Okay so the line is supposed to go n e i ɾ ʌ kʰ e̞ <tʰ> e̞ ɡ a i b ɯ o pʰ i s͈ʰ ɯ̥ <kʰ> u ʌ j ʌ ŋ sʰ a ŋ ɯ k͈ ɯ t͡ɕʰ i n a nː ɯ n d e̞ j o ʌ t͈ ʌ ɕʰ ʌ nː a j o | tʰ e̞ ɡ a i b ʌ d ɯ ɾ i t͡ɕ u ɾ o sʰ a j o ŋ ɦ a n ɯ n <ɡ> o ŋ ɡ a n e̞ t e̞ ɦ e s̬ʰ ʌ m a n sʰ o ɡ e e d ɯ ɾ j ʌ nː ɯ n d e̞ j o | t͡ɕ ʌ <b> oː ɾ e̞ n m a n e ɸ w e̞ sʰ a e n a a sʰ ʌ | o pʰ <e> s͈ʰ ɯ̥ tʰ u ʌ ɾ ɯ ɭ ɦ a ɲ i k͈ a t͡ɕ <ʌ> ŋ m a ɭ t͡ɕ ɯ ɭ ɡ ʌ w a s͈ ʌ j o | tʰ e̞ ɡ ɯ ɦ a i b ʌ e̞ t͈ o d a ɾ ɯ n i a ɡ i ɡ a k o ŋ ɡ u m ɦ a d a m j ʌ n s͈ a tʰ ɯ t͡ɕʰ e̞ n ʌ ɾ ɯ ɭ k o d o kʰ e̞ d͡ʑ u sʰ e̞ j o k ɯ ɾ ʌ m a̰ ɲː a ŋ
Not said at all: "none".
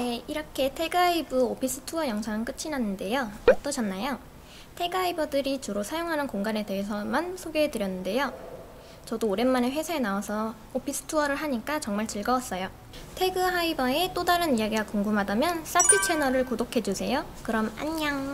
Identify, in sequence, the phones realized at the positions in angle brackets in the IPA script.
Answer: tʰ, tʰ, k, d, i, ʌ

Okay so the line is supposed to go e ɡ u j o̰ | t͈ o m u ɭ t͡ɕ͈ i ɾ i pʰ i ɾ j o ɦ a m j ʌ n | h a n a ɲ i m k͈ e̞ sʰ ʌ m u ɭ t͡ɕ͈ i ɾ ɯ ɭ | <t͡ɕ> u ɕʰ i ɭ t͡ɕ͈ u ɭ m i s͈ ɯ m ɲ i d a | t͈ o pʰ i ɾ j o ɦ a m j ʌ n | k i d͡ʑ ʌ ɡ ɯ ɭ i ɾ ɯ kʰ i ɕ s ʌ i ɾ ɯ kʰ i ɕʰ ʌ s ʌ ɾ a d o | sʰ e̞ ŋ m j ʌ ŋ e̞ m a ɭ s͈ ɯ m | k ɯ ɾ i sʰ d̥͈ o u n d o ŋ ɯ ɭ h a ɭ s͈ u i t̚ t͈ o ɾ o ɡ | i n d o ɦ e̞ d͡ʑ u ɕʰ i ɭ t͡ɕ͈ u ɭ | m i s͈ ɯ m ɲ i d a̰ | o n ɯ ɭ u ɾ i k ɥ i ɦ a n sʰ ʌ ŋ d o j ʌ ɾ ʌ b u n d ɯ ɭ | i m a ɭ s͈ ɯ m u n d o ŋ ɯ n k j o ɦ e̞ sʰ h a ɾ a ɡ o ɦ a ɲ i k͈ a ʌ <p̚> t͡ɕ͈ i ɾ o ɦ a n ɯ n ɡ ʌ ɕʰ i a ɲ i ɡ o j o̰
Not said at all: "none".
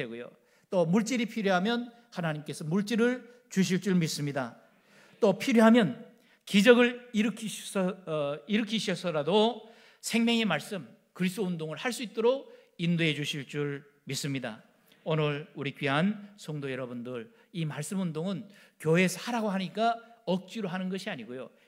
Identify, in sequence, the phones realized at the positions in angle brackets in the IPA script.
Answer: t͡ɕ, k̚

